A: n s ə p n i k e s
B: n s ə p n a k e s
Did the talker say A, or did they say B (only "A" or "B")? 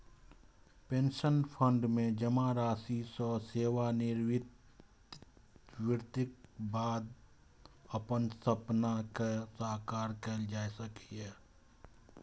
B